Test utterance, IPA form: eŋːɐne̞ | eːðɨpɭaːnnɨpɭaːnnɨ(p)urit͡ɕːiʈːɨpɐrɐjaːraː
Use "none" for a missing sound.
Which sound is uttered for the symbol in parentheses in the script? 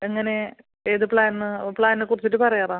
k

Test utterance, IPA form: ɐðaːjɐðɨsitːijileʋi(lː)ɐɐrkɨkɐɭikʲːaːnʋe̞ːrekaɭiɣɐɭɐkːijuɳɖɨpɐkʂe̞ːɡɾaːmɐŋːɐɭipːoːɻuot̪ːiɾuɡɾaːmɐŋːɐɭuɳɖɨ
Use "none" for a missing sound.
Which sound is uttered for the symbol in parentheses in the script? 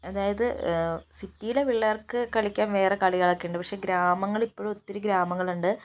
ɭː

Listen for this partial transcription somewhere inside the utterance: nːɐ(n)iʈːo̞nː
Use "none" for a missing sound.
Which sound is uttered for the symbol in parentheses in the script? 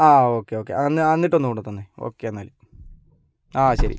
nː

